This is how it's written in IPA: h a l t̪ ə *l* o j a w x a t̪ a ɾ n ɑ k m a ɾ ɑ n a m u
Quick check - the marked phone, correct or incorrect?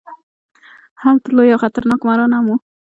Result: correct